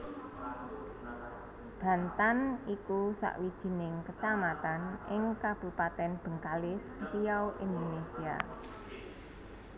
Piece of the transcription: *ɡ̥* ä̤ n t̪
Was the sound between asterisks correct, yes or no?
no